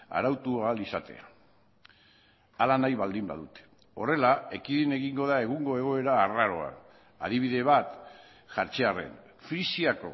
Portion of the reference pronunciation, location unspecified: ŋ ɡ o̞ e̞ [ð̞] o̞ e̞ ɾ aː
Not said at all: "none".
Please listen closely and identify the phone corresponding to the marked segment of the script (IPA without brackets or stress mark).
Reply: ɣ̞